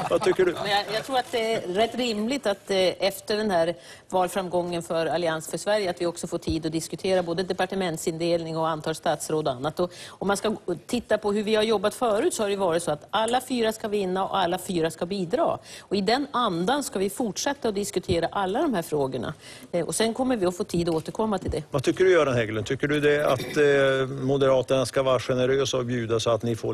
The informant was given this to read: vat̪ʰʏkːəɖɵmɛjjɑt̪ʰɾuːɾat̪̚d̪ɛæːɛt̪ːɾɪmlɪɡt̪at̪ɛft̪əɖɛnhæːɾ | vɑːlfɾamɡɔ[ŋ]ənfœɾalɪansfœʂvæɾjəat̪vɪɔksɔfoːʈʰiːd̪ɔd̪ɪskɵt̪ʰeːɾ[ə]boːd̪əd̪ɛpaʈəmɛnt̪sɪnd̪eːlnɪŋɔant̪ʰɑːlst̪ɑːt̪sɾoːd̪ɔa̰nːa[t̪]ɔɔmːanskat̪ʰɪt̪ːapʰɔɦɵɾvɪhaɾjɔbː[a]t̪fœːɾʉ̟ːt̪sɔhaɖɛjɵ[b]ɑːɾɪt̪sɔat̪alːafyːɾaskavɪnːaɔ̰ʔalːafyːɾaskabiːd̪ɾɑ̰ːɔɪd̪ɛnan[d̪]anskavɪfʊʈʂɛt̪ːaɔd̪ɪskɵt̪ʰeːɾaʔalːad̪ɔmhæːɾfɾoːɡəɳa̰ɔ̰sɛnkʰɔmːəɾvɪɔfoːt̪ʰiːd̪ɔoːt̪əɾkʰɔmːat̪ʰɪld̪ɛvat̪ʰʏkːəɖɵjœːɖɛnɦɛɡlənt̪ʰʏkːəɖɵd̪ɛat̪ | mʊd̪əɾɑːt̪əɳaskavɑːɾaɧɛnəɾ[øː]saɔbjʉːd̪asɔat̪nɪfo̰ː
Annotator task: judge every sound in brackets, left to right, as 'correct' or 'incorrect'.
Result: incorrect: ŋː, incorrect: a, correct, correct, incorrect: v, correct, correct

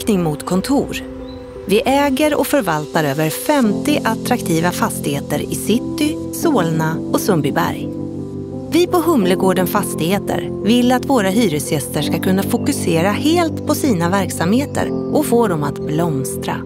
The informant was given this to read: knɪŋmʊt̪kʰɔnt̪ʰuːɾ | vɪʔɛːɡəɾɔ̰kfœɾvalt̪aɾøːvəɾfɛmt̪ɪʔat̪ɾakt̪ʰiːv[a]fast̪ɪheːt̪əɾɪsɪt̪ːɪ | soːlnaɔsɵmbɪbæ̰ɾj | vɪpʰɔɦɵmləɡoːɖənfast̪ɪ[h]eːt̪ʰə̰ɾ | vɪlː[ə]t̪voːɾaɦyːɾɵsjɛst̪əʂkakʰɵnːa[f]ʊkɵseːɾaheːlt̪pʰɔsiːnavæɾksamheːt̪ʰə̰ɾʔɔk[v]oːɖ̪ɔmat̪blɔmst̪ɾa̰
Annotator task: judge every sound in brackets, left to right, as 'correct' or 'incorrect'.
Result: correct, correct, incorrect: a, correct, incorrect: f

